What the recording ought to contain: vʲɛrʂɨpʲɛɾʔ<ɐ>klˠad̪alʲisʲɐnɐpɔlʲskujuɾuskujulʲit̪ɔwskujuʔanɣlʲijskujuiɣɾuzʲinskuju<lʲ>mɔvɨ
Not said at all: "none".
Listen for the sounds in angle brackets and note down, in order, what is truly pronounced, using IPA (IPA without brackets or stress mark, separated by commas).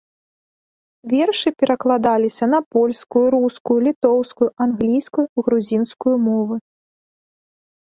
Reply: ɐ, none